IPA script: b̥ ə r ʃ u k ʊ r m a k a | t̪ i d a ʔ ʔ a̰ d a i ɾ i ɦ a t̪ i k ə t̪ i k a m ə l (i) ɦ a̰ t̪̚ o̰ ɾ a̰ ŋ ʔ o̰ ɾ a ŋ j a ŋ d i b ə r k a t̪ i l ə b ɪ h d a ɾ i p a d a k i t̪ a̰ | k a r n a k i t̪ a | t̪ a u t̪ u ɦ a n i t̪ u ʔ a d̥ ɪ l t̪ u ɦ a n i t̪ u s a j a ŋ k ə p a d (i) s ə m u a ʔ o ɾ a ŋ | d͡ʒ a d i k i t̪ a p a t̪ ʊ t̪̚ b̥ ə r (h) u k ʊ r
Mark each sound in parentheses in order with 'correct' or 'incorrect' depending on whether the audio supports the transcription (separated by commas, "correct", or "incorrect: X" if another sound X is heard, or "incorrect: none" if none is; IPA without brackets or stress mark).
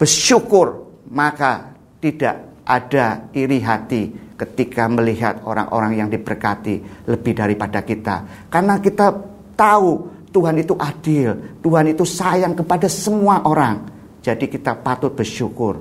correct, incorrect: a, incorrect: ʃ